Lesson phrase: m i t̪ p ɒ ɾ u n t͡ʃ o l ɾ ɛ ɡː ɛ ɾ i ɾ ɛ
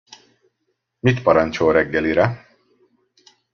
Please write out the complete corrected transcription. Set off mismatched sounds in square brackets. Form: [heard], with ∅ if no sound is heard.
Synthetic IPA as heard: m i t̪ p ɒ ɾ [ɒ] n t͡ʃ o l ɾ ɛ ɡː ɛ [l] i ɾ ɛ